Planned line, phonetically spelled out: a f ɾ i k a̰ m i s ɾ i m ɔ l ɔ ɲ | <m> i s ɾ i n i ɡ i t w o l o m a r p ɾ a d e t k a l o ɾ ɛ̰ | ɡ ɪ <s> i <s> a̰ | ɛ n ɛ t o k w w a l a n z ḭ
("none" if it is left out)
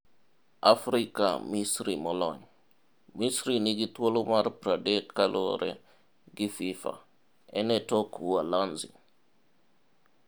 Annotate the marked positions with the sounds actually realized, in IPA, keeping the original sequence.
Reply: m, f, f

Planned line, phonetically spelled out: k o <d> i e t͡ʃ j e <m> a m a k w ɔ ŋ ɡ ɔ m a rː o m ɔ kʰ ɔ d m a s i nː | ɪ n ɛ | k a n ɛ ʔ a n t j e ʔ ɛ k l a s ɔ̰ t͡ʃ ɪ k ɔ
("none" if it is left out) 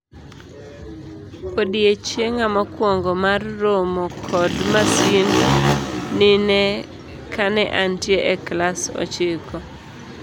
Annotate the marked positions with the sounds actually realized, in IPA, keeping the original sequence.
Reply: d, ŋ

